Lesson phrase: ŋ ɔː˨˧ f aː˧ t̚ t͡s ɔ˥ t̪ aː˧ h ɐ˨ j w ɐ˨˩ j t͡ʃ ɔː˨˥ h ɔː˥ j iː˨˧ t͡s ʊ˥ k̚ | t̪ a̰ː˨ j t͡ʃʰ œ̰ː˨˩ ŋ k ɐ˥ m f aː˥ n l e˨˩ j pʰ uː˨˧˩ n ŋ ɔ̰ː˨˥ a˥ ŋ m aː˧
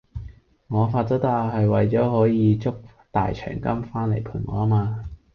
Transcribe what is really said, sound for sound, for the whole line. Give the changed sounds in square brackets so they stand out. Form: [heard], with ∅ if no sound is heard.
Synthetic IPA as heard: ŋ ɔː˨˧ f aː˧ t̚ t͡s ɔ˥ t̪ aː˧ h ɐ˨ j w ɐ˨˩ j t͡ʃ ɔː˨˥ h [ɔː˨˥] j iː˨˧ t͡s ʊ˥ k̚ | t̪ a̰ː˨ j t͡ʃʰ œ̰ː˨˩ ŋ k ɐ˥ m f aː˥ n l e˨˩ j pʰ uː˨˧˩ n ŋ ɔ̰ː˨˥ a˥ [∅] m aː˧